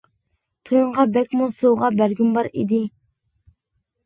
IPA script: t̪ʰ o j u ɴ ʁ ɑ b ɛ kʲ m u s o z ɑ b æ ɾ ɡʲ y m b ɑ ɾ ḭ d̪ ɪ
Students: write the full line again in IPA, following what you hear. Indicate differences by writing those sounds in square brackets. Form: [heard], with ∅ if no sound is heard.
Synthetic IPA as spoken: t̪ʰ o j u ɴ ʁ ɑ b ɛ kʲ m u s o [ʁ] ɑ b æ ɾ ɡʲ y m b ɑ ɾ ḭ d̪ ɪ